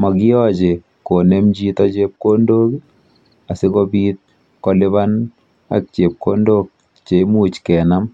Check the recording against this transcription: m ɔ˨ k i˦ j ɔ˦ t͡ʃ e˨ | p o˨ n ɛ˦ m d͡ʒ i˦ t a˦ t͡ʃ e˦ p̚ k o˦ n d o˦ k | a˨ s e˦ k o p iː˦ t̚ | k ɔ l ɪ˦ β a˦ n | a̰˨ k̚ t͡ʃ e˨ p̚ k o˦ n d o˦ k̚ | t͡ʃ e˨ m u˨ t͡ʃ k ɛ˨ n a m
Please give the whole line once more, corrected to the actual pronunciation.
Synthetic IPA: m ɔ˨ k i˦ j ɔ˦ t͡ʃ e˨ | k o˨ n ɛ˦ m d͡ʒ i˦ t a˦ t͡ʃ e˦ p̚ k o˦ n d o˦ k | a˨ s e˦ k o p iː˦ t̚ | k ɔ l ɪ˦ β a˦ n | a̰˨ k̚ t͡ʃ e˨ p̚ k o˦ n d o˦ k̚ | t͡ʃ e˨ m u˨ t͡ʃ k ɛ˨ n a m